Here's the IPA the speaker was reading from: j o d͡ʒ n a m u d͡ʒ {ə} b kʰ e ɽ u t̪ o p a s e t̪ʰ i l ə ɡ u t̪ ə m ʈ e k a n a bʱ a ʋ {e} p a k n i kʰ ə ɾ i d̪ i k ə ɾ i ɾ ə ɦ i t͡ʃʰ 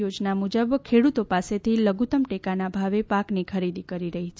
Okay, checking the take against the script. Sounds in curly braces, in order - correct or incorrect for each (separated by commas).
correct, correct